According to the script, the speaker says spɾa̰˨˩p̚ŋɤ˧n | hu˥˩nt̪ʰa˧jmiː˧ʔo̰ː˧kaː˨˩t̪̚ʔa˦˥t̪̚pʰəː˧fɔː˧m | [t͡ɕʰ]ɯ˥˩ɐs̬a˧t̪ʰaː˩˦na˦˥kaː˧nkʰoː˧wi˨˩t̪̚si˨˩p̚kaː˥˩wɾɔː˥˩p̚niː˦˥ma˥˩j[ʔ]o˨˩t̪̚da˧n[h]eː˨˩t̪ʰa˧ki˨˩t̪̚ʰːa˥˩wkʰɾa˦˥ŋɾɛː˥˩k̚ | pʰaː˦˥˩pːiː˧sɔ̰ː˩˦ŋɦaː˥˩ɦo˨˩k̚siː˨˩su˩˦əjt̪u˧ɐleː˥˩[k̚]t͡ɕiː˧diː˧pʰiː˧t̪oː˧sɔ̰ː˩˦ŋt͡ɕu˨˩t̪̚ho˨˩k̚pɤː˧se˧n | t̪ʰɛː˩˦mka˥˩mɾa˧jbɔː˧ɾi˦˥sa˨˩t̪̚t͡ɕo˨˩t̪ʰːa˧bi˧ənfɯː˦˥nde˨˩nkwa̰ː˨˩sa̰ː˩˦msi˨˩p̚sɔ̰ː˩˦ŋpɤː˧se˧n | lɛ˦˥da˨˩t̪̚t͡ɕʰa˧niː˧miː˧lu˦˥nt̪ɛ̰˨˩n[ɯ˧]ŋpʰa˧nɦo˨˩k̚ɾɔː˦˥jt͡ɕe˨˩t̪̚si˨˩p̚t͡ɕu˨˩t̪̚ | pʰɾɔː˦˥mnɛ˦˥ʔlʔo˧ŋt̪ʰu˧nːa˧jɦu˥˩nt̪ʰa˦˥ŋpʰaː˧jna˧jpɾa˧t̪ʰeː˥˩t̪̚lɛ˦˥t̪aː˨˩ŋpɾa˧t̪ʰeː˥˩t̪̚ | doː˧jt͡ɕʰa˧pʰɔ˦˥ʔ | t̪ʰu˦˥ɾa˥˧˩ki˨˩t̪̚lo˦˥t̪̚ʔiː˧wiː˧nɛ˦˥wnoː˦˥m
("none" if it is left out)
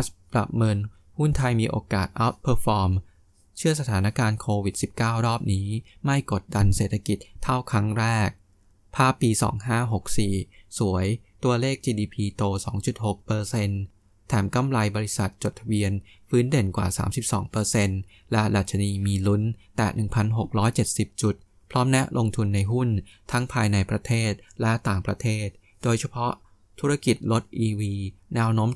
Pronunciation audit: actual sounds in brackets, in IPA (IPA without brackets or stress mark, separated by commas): t͡ɕʰ, k, s, k̚, ɯ˨˩